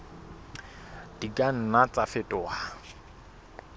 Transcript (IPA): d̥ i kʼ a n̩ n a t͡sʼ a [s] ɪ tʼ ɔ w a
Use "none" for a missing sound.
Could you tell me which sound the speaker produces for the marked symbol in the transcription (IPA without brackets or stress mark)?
f